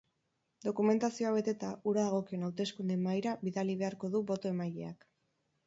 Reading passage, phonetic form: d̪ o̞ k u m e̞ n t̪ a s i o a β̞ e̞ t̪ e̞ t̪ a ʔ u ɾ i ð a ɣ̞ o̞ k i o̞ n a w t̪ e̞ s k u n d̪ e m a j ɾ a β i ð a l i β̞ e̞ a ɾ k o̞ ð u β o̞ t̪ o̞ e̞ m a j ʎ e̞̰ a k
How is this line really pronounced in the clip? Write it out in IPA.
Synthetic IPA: d̪ o̞ k u m e̞ n t̪ a s i o a β̞ e̞ t̪ e̞ t̪ a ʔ u ɾ a ð a ɣ̞ o̞ k i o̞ n a w t̪ e̞ s k u n d̪ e m a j ɾ a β i ð a l i β̞ e̞ a ɾ k o̞ ð u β o̞ t̪ o̞ e̞ m a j ʎ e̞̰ a k